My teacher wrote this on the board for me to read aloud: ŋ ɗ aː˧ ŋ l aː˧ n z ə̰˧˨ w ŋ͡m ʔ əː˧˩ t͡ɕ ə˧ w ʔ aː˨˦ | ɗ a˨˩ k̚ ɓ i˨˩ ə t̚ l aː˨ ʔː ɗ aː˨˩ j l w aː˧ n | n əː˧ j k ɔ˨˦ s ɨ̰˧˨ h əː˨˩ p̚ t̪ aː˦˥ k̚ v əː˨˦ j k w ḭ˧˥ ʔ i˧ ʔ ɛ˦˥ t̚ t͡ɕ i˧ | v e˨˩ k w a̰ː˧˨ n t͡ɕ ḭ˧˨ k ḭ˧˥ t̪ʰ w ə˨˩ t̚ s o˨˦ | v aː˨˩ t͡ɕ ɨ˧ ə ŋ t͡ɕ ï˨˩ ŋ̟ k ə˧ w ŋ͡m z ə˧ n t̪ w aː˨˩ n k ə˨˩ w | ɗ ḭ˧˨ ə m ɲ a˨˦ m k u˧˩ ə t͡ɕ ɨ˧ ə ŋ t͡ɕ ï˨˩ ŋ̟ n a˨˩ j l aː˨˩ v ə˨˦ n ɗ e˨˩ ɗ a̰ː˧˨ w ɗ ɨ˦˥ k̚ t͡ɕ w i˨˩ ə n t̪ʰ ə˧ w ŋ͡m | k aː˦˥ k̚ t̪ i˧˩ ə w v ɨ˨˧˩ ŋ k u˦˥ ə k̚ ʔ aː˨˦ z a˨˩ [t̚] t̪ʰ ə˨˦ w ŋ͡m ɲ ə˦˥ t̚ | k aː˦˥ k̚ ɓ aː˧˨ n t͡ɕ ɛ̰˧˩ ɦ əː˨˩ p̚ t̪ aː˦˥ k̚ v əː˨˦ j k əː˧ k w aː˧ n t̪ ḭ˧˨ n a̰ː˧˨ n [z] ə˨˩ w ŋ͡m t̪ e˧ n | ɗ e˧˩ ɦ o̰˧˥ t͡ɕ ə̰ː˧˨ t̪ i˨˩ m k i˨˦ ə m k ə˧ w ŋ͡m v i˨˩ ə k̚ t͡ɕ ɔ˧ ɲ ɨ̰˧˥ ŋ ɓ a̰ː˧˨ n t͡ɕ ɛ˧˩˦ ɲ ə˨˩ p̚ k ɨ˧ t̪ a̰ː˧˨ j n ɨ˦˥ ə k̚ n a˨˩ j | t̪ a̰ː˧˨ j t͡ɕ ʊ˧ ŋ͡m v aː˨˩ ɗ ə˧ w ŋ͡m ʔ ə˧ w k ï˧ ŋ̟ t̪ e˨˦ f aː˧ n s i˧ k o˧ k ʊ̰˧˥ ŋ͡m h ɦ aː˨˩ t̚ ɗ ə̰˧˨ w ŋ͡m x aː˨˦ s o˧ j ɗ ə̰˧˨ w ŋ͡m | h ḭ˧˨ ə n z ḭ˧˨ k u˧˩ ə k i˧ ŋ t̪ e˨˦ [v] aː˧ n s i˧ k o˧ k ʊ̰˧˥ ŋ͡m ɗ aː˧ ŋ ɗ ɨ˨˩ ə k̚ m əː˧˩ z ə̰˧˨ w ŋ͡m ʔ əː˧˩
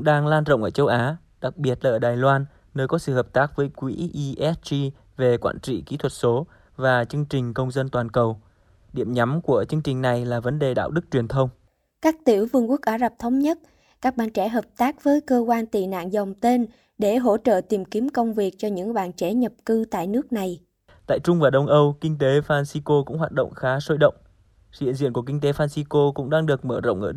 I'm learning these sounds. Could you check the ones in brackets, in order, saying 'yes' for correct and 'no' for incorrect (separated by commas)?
no, yes, no